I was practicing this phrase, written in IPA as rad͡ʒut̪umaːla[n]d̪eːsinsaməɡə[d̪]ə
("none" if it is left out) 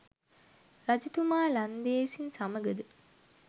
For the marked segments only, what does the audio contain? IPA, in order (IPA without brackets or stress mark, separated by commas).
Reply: n, d̪